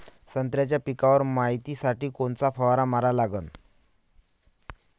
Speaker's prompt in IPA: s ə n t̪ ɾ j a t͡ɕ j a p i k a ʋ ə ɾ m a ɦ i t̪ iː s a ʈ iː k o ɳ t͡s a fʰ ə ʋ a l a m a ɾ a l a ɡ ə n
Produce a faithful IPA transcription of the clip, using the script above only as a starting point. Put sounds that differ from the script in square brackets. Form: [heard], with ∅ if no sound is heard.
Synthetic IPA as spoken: s ə n t̪ ɾ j a t͡ɕ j a p i k a ʋ ə ɾ m a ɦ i t̪ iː s a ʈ iː k o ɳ t͡s a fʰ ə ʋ a [ɾ] a m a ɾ a l a ɡ ə n